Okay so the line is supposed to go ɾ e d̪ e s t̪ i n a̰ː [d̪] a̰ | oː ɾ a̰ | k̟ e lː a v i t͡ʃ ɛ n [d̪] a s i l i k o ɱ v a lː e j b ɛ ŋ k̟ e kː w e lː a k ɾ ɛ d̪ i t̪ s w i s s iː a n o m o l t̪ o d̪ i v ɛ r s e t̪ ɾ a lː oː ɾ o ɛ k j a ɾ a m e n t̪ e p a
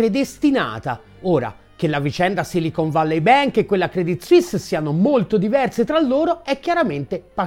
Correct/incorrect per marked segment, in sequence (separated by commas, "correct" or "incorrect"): incorrect, correct